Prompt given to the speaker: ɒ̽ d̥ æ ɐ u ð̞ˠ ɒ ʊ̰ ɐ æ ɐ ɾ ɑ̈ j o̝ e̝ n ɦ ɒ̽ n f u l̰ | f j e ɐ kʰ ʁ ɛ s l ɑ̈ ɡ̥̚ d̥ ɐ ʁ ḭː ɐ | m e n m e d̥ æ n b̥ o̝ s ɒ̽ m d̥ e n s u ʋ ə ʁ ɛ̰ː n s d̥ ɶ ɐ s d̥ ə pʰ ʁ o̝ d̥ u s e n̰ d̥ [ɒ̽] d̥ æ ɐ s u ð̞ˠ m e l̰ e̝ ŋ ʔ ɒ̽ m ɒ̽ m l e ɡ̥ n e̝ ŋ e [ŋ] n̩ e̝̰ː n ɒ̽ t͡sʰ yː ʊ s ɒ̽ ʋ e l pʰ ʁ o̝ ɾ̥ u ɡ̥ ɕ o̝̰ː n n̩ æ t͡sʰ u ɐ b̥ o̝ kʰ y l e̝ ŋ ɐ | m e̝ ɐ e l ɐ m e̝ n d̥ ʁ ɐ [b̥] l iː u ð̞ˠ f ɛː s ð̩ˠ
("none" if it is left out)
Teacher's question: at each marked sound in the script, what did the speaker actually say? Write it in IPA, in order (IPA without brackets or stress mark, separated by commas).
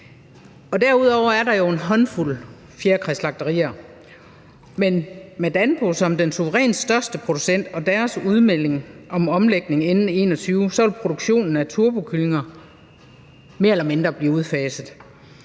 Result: ɒ̽, n, b̥